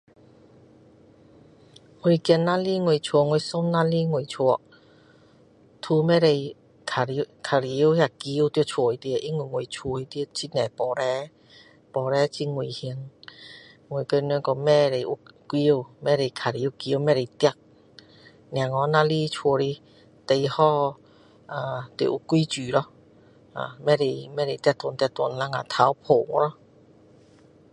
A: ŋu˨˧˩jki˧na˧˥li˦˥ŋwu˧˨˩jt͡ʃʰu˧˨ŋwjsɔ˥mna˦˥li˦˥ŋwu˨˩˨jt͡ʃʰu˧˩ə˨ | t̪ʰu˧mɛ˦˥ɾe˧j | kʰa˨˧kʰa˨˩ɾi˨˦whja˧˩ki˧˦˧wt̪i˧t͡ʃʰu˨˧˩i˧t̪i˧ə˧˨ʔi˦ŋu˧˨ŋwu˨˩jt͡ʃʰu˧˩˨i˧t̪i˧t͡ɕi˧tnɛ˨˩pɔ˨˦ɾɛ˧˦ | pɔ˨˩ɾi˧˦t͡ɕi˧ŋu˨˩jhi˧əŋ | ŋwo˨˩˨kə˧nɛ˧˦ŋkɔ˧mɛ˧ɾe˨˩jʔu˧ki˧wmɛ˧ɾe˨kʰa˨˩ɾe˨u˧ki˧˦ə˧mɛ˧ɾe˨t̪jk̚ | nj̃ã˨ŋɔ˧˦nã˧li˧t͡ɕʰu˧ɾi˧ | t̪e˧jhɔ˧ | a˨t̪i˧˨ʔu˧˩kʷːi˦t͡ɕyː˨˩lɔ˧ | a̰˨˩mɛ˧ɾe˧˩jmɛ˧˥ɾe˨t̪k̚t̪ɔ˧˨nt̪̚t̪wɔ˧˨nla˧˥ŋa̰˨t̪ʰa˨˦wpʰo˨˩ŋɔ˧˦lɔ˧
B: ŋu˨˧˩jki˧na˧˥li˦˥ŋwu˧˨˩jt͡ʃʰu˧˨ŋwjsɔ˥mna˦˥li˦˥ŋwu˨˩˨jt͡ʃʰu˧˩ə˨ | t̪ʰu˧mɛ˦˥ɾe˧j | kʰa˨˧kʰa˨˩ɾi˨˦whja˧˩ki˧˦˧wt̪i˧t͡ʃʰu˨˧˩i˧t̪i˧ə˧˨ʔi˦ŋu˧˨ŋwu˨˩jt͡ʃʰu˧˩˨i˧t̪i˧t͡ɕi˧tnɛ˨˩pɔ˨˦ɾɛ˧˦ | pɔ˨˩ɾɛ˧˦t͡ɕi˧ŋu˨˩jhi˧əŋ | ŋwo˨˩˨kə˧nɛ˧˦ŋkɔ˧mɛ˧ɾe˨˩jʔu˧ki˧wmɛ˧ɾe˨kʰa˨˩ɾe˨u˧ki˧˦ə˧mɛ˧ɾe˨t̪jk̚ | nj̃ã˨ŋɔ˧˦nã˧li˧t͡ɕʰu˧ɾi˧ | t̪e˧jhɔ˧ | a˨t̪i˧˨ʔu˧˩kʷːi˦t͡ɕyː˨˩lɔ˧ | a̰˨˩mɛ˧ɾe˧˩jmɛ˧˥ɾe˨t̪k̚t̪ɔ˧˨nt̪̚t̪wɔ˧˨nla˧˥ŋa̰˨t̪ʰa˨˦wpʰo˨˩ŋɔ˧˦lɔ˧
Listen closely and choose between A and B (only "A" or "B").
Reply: B